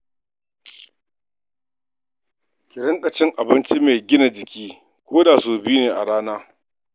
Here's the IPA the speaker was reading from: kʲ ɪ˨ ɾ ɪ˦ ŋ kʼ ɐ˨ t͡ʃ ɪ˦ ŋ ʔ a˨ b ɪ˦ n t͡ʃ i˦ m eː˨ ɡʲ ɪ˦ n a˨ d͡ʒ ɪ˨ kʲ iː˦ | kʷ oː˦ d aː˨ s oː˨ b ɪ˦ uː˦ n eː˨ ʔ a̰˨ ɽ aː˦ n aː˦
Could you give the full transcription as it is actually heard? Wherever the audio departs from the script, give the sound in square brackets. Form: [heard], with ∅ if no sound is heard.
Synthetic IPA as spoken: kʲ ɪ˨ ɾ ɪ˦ ŋ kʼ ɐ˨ t͡ʃ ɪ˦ ŋ ʔ a˨ b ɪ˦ n t͡ʃ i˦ m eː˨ ɡʲ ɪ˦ n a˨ d͡ʒ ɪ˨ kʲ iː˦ | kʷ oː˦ d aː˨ s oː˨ b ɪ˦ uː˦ n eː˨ ʔ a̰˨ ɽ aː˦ n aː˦